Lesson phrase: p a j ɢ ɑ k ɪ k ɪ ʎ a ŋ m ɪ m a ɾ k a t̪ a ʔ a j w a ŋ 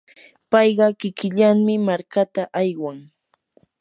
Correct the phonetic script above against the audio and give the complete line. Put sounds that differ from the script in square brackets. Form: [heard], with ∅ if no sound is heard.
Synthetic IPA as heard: p [ɑ] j ɢ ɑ k ɪ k ɪ ʎ a ŋ m ɪ m a ɾ k a t̪ a ʔ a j w a ŋ